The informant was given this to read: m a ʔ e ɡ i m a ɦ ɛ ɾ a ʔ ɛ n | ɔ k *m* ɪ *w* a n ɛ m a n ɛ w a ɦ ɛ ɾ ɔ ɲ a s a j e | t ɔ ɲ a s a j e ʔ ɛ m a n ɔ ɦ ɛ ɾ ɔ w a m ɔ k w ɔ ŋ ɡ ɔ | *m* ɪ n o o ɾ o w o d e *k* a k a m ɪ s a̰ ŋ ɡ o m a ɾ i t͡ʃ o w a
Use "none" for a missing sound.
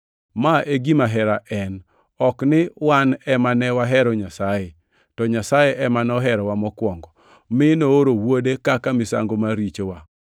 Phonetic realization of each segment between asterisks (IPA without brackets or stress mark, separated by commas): n, w, m, k